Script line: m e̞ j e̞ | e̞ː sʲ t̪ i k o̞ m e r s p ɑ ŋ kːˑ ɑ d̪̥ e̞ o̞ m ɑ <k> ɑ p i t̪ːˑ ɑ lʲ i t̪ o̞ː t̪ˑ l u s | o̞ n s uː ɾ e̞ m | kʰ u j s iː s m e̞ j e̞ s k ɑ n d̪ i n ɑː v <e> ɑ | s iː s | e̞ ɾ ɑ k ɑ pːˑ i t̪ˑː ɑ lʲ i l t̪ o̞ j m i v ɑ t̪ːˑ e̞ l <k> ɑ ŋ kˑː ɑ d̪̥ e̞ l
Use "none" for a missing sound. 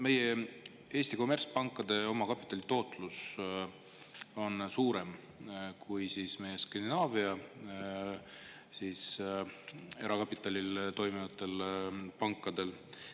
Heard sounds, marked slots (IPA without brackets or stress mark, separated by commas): k, i, p